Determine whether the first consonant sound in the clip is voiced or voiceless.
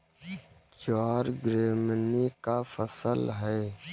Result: voiceless